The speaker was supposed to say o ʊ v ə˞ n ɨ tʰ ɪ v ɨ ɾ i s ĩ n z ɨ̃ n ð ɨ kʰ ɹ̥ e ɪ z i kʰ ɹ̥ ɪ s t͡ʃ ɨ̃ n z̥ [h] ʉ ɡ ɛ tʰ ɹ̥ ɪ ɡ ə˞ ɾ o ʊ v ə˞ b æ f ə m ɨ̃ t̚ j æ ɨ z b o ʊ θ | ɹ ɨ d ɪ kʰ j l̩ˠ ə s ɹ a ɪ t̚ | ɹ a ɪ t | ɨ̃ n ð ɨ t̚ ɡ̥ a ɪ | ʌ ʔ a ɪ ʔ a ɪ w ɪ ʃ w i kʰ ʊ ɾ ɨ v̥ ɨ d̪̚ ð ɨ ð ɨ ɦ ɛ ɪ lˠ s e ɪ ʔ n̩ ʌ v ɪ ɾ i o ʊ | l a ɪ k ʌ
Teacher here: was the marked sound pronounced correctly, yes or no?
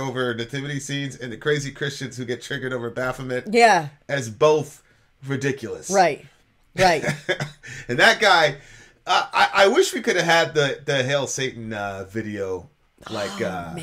yes